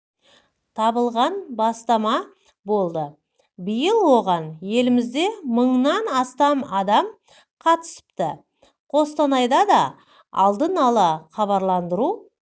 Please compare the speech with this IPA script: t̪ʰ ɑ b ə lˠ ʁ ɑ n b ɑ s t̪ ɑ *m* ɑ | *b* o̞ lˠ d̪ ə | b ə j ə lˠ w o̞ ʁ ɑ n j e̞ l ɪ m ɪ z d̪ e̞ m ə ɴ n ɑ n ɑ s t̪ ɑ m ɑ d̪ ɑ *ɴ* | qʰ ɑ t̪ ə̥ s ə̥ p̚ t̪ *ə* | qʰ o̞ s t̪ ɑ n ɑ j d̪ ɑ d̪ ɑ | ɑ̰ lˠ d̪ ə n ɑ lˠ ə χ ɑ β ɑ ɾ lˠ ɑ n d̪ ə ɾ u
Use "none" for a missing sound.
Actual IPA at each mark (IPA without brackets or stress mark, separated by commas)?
m, b, m, ə